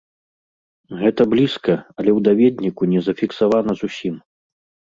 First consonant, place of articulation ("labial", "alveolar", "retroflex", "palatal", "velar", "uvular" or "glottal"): velar